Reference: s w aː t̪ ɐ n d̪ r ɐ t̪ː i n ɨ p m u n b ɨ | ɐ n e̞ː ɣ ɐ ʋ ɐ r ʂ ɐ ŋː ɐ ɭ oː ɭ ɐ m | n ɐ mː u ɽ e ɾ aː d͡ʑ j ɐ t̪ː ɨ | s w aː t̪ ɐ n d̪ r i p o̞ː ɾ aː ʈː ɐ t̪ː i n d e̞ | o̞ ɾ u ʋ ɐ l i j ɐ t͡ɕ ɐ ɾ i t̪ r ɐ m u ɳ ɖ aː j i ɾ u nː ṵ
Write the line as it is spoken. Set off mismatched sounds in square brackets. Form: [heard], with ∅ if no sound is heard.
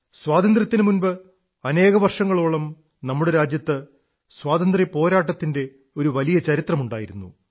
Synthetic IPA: s w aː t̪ ɐ n d̪ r ɐ t̪ː i n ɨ [∅] m u n b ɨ | ɐ n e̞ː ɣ ɐ ʋ ɐ r ʂ ɐ ŋː ɐ ɭ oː ɭ ɐ m | n ɐ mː u ɽ e ɾ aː d͡ʑ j ɐ t̪ː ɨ | s w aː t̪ ɐ n d̪ r i p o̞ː ɾ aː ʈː ɐ t̪ː i n d e̞ | o̞ ɾ u ʋ ɐ l i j ɐ t͡ɕ ɐ ɾ i t̪ r ɐ m u ɳ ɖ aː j i ɾ u nː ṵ